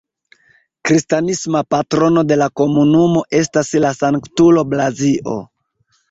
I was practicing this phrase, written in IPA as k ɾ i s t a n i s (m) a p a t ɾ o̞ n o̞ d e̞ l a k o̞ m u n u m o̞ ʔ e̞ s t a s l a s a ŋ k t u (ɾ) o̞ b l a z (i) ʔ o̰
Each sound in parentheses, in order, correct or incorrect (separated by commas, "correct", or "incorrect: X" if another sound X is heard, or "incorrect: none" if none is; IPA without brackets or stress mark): correct, incorrect: l, correct